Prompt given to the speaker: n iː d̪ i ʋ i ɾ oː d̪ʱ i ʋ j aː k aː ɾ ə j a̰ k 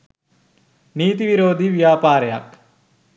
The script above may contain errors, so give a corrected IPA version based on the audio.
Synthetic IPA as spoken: n iː t̪ i ʋ i ɾ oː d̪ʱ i ʋ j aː p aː ɾ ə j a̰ k